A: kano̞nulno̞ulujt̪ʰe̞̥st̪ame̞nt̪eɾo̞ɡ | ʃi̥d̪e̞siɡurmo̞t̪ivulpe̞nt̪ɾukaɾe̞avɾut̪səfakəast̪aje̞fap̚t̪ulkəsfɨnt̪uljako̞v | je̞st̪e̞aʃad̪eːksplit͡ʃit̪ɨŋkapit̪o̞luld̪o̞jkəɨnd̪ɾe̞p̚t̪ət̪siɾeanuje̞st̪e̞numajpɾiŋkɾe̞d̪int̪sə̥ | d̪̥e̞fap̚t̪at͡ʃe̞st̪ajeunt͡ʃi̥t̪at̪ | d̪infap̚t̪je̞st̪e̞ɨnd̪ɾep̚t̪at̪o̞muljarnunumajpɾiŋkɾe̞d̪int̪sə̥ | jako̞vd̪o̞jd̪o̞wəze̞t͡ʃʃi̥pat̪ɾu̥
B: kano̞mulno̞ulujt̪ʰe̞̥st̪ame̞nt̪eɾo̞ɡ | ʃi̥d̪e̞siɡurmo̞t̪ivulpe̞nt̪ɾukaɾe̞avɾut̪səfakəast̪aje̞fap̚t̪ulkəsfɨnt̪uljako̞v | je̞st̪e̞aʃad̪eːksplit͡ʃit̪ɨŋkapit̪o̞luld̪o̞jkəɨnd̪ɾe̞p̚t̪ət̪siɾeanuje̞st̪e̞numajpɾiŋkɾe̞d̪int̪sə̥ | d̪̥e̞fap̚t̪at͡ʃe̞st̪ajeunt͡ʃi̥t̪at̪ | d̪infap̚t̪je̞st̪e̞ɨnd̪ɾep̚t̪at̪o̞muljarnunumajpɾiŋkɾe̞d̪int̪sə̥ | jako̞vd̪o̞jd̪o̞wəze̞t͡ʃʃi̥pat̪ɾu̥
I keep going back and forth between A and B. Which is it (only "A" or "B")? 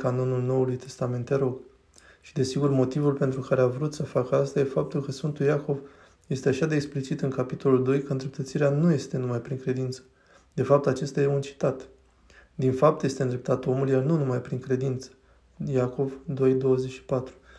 A